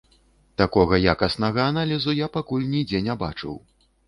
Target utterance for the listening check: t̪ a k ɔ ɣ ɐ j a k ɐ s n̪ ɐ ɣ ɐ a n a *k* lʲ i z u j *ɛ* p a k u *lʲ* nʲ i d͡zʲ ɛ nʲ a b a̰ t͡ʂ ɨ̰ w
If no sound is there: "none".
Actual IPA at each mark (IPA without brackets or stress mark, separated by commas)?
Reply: none, a, lʲ